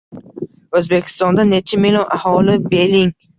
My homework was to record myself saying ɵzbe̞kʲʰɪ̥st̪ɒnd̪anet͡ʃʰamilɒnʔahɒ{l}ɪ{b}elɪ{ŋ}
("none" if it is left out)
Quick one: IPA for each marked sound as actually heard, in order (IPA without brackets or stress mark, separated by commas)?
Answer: l, b, ŋ